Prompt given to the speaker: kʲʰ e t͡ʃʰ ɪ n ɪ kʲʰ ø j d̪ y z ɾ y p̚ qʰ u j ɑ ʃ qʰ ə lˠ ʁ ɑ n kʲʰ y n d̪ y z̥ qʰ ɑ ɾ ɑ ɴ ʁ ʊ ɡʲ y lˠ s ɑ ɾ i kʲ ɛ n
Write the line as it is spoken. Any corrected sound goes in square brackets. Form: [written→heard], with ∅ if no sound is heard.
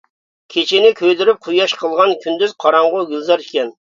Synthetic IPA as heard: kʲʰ e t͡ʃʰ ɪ n ɪ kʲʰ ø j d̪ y [z→∅] ɾ y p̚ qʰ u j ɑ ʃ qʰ ə lˠ ʁ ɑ n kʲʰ y n d̪ y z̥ qʰ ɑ ɾ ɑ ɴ ʁ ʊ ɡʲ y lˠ [s→z] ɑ ɾ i kʲ ɛ n

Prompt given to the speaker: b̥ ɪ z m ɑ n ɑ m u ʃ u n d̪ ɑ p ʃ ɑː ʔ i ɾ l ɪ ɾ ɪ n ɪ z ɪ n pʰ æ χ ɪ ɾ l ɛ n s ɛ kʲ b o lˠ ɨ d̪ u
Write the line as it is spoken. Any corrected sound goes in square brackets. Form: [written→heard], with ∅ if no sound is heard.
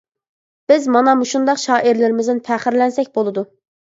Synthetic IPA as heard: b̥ ɪ z m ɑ n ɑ m u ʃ u n d̪ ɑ [p→q] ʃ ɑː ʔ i ɾ l ɪ ɾ ɪ [n→m] ɪ z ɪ n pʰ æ χ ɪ ɾ l ɛ n s ɛ kʲ b o lˠ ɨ d̪ u

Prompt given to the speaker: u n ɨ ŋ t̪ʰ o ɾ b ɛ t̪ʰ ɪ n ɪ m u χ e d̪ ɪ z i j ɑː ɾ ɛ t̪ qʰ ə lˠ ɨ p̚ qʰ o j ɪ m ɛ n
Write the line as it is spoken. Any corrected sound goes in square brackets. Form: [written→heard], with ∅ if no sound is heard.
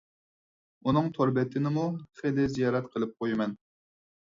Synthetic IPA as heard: u n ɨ ŋ t̪ʰ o ɾ b ɛ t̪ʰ ɪ n ɪ m u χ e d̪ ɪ z i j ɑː ɾ ɛ t̪ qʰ ə lˠ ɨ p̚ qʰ o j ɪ m ɛ n

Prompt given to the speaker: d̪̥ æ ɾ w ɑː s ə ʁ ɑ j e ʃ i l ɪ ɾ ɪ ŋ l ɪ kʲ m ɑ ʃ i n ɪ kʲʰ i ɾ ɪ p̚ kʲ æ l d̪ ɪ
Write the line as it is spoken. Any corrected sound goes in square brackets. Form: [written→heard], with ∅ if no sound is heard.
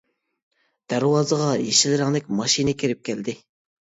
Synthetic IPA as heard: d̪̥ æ ɾ w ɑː [s→z] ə ʁ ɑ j e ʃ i l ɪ ɾ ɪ ŋ l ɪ kʲ m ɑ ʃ i n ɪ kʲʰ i ɾ ɪ p̚ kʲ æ l d̪ ɪ

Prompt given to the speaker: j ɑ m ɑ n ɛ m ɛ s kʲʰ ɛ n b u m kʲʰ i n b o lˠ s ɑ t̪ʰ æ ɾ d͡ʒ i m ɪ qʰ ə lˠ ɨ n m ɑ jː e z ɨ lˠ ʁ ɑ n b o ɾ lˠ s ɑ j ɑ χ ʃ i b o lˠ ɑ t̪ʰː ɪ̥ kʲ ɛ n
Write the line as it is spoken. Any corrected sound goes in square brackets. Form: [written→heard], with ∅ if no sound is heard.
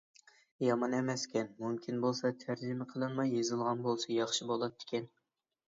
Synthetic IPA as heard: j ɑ m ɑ n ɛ m ɛ s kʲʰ ɛ n [b→m] u m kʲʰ i n b o lˠ s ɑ t̪ʰ æ ɾ d͡ʒ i m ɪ qʰ ə lˠ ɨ n m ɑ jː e z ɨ lˠ ʁ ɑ n b o [ɾ→∅] lˠ s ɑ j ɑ χ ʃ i b o lˠ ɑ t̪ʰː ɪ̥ kʲ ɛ n

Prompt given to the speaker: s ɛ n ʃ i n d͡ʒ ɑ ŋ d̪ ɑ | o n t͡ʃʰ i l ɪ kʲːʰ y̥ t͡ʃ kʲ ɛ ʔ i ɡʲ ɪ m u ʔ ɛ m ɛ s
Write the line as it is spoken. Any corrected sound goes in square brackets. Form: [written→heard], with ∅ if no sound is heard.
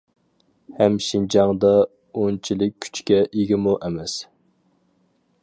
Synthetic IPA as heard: [s→h] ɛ [n→m] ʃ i n d͡ʒ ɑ ŋ d̪ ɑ | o n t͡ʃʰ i l ɪ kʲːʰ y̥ t͡ʃ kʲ ɛ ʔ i ɡʲ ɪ m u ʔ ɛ m ɛ s

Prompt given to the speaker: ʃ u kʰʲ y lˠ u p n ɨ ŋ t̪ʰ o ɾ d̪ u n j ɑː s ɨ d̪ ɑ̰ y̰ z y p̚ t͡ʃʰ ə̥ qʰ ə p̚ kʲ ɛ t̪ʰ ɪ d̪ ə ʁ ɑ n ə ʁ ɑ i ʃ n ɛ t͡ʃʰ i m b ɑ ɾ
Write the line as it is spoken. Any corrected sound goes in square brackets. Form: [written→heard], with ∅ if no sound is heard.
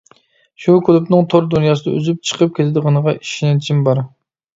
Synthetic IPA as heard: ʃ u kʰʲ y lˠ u p n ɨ ŋ t̪ʰ o ɾ d̪ u n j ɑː s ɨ d̪ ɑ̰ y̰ z y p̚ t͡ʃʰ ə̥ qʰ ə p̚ kʲ [ɛ→e] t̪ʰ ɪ d̪ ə ʁ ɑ n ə ʁ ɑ i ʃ n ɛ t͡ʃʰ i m b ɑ ɾ

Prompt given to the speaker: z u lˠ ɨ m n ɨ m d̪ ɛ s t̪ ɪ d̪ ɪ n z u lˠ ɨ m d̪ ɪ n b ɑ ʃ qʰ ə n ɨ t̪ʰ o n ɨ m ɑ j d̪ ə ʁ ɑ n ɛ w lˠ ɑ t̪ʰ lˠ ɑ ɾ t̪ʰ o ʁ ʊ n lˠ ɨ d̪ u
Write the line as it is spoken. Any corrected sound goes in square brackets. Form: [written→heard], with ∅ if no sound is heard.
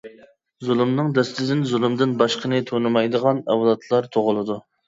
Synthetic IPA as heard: z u lˠ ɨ m n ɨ [m→ŋ] d̪ ɛ s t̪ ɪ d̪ ɪ n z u lˠ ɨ m d̪ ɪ n b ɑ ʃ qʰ ə n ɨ t̪ʰ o n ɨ m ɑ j d̪ ə ʁ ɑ n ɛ w lˠ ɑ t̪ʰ lˠ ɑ ɾ t̪ʰ o ʁ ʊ [n→∅] lˠ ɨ d̪ u

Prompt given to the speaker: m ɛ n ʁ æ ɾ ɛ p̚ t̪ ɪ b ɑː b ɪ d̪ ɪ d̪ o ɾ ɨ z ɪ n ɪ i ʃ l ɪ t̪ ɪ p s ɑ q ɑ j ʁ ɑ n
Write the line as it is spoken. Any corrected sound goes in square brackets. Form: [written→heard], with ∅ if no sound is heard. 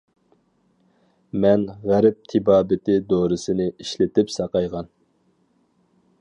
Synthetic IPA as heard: m ɛ n ʁ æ ɾ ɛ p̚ [t̪→t̪ʰ] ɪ b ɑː b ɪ [d̪→t̪] ɪ d̪ o ɾ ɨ [z→s] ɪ n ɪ i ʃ l ɪ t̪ ɪ p s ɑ q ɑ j ʁ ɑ n

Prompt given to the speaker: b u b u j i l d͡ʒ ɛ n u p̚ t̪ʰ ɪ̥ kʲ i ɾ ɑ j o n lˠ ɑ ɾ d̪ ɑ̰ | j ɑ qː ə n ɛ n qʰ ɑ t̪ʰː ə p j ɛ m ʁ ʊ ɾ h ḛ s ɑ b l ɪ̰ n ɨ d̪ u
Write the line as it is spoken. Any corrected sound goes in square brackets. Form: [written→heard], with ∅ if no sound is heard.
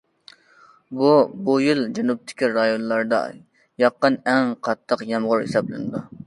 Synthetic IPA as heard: b u b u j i l d͡ʒ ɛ n u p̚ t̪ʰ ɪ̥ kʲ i ɾ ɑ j o n lˠ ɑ ɾ d̪ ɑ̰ | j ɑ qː ə n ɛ [n→ŋ] qʰ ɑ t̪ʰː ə [p→q] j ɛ m ʁ ʊ ɾ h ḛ s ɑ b l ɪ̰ n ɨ d̪ u

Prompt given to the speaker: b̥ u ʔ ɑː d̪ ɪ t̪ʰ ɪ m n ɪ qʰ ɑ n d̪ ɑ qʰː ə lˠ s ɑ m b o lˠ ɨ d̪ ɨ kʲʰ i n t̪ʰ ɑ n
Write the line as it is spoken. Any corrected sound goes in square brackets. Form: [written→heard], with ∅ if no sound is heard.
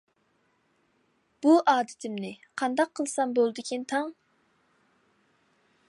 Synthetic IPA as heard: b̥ u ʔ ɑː d̪ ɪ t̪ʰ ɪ m n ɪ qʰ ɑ n d̪ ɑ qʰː ə lˠ s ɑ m b o lˠ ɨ d̪ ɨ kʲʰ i n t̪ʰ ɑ [n→ŋ]

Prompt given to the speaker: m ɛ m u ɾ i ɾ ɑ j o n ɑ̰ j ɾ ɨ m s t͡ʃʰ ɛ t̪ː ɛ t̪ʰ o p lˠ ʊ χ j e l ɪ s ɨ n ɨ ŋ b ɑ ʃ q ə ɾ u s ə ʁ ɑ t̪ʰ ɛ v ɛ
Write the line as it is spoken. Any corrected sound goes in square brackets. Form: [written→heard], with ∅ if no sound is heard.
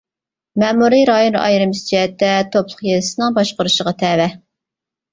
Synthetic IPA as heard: m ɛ m u ɾ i ɾ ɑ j o n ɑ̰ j ɾ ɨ m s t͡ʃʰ ɛ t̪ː ɛ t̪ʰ o p lˠ ʊ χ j e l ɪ s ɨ n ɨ ŋ b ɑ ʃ q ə ɾ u [s→ʃ] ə ʁ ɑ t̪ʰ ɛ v ɛ

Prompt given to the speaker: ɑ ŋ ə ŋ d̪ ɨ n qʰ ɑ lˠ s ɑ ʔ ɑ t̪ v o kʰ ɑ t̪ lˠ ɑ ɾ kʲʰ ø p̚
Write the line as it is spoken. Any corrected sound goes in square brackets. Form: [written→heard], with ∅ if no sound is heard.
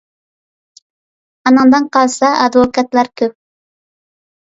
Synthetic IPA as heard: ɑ [ŋ→n] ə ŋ d̪ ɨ n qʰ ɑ lˠ s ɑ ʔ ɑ [t̪→d̪] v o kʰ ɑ t̪ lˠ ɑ ɾ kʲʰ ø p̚

